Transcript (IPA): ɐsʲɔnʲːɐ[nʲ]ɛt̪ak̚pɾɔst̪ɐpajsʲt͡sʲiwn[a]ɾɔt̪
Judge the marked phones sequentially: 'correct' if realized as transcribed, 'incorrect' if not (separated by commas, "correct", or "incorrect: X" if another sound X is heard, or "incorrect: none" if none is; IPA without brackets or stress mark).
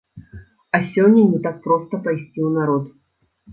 correct, correct